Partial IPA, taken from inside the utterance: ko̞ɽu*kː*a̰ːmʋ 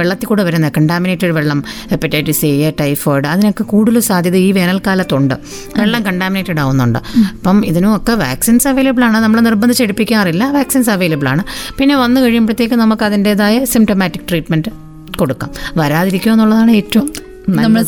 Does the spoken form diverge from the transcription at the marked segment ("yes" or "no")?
no